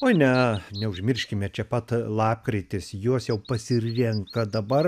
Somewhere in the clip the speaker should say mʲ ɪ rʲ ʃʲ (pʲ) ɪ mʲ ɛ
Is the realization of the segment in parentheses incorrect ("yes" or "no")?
yes